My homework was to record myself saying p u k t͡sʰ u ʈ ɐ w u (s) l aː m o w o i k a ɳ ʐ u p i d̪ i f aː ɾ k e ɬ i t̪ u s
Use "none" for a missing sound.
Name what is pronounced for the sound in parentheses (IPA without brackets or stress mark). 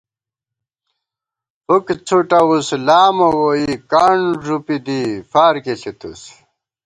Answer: s